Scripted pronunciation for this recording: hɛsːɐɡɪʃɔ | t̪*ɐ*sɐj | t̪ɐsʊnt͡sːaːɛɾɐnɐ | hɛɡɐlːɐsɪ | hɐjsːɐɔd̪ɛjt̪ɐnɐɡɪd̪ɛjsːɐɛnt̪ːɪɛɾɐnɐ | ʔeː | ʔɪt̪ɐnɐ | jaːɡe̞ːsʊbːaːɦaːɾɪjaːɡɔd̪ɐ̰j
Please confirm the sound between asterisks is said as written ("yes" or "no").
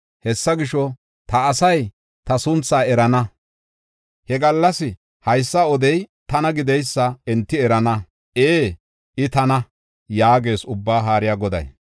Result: no